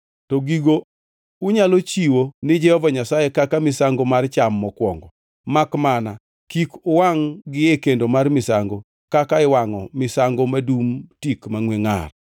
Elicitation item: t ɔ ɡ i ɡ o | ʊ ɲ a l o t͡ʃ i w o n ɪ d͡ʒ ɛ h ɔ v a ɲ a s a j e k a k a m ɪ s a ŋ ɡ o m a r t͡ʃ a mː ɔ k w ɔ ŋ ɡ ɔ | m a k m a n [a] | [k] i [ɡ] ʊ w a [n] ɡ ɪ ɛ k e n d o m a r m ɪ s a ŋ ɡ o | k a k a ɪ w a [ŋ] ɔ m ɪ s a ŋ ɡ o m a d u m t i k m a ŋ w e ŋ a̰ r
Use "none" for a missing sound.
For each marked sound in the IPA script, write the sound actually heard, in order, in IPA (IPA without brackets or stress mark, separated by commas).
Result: a, k, k, ŋ, ŋ